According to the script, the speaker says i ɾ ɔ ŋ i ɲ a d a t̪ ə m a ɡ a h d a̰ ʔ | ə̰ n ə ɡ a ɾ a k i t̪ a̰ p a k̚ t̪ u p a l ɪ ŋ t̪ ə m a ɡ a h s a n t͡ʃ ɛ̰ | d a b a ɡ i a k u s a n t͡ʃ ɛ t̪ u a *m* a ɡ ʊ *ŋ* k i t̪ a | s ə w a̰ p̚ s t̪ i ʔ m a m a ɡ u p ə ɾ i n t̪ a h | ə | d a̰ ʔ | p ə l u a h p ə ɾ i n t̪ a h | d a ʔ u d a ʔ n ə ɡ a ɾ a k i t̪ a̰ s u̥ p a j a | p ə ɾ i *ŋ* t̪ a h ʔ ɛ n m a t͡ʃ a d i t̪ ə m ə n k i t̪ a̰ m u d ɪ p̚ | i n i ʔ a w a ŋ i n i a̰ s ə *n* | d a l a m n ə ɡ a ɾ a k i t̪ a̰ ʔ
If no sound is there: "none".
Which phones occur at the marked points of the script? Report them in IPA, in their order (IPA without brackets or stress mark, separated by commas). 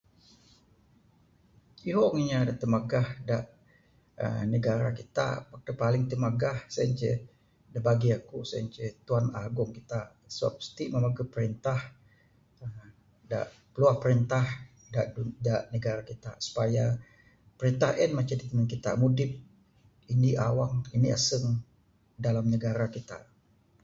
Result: n, ŋ, n, ŋ